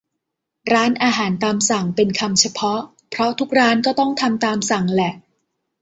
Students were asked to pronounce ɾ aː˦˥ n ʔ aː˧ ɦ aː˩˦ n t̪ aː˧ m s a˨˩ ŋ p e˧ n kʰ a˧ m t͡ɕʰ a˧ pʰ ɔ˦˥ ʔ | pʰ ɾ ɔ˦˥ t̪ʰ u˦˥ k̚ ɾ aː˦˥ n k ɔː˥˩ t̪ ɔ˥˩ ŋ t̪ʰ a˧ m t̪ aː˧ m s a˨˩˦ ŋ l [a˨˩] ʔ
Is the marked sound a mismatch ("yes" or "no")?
yes